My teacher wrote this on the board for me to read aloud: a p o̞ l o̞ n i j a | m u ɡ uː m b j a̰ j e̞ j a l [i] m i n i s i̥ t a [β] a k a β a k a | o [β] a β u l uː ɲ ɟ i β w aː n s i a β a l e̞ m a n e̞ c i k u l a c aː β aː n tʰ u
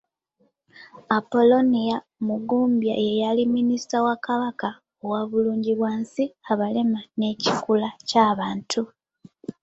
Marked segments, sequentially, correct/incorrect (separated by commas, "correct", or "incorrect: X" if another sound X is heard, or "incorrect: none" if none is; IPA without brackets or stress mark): correct, incorrect: w, incorrect: w